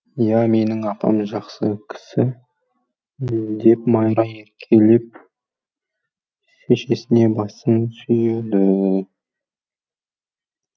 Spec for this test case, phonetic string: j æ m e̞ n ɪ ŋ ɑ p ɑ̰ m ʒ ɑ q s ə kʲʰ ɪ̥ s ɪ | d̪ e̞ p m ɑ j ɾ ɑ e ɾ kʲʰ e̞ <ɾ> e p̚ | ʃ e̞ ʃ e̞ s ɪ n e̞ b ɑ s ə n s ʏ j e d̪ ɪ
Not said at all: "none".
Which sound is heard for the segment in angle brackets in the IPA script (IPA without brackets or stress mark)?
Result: l